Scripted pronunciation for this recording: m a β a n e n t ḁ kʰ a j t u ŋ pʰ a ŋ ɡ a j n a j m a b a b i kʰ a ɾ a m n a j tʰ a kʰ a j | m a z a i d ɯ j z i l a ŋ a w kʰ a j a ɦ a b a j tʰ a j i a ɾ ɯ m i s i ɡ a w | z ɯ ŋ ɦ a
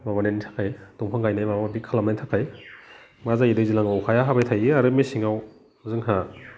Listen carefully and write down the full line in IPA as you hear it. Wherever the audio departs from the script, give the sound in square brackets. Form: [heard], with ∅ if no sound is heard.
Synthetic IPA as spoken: m a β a n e n [tʰ] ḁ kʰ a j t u ŋ pʰ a ŋ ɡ a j n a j m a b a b i kʰ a [l] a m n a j tʰ a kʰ a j | m a z a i d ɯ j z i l a ŋ a w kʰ a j a ɦ a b a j tʰ a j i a ɾ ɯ m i s i [ŋ] a w | z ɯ ŋ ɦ a